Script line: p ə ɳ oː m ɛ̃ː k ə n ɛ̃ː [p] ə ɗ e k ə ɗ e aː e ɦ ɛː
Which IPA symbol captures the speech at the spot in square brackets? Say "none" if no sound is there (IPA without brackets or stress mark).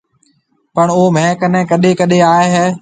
k